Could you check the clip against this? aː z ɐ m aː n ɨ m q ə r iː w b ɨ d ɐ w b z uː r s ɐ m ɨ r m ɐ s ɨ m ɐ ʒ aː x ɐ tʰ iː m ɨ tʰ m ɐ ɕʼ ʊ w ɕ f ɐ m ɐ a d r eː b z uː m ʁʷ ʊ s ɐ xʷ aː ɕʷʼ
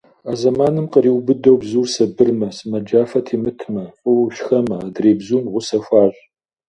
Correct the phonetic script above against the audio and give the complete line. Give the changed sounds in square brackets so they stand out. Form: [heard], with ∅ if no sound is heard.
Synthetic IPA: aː z ɐ m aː n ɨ m q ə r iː w b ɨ d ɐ w b z uː r s ɐ [b] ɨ r m ɐ s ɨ m ɐ [d͡ʒ] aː [f] ɐ tʰ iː m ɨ tʰ m ɐ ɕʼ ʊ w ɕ [x] ɐ m ɐ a d r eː b z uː m ʁʷ ʊ s ɐ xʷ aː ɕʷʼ